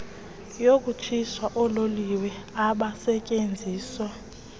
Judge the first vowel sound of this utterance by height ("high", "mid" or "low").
mid